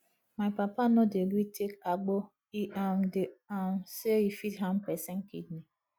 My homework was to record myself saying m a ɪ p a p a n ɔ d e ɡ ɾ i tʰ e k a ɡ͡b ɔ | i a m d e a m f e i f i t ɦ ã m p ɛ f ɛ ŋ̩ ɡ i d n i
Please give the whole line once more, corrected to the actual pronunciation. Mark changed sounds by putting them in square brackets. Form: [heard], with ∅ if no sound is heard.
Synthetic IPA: m a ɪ p a p a n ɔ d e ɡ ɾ i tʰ e k a ɡ͡b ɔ | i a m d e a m [s] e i f i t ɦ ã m p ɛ [s] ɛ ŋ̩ [k] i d n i

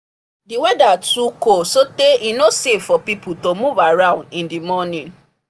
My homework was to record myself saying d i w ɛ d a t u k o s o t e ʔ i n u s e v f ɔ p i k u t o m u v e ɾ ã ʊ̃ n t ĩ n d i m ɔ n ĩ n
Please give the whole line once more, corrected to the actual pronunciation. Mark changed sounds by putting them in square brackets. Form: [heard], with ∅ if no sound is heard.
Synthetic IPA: d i w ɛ d a t u k o s o t e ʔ i n [o] s e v f ɔ p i [p] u t o m u v [a] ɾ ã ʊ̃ n [d] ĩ n d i m ɔ n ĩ n

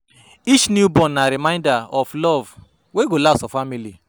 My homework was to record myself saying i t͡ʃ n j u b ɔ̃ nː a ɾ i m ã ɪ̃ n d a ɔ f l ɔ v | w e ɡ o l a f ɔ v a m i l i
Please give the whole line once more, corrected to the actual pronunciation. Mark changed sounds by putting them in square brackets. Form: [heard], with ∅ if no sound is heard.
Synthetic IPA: i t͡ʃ n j u b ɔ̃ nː a ɾ i m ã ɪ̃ n d a ɔ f l ɔ v | w e ɡ o l a [s] ɔ [f] a m i l i

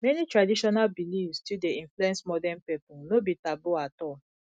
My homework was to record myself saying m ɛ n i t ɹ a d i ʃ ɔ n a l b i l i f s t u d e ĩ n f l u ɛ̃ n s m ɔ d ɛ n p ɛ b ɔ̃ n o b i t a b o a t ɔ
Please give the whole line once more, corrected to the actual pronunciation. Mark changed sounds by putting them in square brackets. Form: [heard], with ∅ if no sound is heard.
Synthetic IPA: m ɛ n i t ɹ a d i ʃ ɔ n a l b i l i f s t u d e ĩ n f l u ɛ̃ n s m ɔ d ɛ n p ɛ [p] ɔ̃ n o b i t a b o a t ɔ

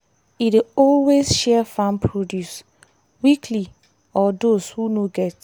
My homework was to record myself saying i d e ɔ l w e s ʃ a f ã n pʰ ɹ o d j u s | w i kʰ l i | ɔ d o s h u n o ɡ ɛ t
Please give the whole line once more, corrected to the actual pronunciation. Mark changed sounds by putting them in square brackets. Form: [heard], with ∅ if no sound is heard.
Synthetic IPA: i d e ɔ l w e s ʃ [ɛ] f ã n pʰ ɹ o d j u s | w i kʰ l i | ɔ d o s h u n o ɡ ɛ t

